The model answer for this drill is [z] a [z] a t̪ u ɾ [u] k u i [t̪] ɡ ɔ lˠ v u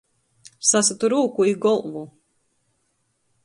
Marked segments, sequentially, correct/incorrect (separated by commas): incorrect, incorrect, incorrect, incorrect